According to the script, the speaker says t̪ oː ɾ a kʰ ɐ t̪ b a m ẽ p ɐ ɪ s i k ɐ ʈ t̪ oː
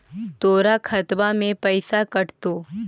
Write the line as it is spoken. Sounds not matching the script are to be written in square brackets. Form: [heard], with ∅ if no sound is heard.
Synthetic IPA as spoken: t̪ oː ɾ a kʰ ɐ t̪ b a m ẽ p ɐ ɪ s [a] k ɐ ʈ t̪ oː